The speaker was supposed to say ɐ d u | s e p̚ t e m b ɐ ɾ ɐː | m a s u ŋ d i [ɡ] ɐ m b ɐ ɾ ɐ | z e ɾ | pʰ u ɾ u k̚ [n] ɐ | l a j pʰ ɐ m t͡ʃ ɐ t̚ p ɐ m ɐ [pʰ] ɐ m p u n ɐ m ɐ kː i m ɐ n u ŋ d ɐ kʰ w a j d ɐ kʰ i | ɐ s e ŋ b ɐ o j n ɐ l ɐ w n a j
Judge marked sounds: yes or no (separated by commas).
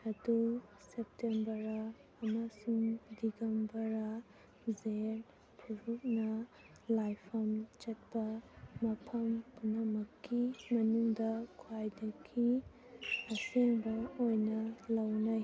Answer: yes, yes, yes